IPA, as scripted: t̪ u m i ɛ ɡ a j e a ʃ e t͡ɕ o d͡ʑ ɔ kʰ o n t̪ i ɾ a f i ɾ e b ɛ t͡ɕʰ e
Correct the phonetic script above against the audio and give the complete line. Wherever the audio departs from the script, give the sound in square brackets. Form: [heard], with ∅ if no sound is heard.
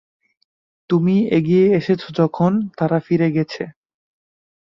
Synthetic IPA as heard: t̪ u m i [e] ɡ [i] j e [e] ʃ e [t͡ɕʰ] o d͡ʑ ɔ kʰ o n t̪ [a] ɾ a f i ɾ e [ɡ] ɛ t͡ɕʰ e

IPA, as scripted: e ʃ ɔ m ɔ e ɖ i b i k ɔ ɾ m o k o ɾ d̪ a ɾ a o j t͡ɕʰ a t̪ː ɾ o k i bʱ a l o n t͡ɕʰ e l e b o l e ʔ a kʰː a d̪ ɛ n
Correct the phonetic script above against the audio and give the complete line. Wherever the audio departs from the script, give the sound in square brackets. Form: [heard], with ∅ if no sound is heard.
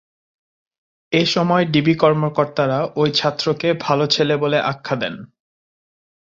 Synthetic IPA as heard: e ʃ ɔ m ɔ e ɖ i b i k ɔ ɾ m o k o ɾ [t̪] a ɾ a o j t͡ɕʰ a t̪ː ɾ o k [e] bʱ a l o [∅] t͡ɕʰ e l e b o l e ʔ a kʰː a d̪ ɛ n

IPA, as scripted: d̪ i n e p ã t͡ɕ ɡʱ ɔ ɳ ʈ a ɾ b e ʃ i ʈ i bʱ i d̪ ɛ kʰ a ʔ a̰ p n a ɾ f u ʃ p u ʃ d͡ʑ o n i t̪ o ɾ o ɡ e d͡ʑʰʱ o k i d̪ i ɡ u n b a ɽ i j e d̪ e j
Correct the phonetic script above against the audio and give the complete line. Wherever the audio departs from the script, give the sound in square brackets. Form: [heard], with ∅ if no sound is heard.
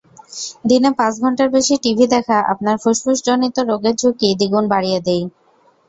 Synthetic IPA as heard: d̪ i n e p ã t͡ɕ ɡʱ ɔ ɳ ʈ a ɾ b e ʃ i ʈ i bʱ i d̪ ɛ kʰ a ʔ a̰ p n a ɾ f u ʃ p u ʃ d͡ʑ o n i t̪ o ɾ o ɡ e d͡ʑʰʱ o k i d̪ i ɡ u n b a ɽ i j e d̪ e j

